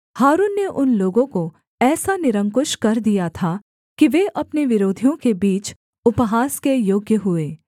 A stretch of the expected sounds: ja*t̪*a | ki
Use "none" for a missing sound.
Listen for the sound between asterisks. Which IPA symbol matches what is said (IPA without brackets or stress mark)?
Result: t̪ʰ